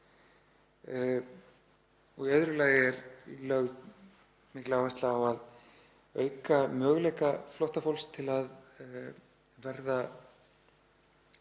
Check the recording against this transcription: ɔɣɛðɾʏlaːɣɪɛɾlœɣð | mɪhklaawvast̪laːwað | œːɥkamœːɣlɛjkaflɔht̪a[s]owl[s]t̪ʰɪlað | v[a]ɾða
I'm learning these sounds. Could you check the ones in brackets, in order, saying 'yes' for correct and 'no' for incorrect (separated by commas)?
no, yes, no